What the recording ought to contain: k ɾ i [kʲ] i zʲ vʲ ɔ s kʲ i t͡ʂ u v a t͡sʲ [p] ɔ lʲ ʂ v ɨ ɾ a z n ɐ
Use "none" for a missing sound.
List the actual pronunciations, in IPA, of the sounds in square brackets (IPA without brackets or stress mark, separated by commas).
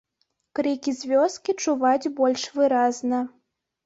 kʲ, b